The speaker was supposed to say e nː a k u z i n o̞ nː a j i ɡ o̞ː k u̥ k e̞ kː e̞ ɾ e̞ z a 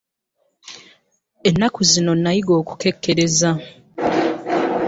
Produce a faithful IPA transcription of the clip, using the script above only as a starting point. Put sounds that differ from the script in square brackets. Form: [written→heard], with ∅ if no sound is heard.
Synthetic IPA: e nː a k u z i n o̞ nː a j i ɡ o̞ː k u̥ k e̞ kː e̞ ɾ e̞ z a